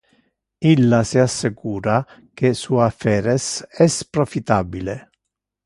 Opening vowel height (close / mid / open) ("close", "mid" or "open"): close